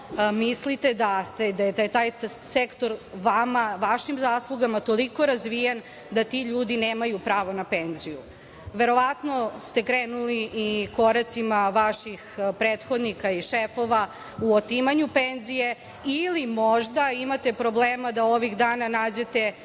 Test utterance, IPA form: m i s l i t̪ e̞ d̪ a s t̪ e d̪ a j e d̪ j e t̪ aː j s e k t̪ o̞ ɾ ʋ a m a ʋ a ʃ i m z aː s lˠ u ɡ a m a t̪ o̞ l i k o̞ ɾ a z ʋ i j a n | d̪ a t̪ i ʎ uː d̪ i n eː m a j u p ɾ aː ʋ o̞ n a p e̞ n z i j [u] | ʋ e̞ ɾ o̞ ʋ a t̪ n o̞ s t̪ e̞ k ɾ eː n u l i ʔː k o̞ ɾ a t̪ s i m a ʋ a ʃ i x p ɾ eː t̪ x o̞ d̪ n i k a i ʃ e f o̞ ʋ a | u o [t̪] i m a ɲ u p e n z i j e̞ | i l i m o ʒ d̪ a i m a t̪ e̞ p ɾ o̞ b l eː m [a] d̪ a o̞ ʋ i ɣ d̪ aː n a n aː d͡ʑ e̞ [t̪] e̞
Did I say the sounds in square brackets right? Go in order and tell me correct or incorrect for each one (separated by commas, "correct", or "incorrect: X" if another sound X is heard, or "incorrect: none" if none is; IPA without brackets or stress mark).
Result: correct, correct, correct, correct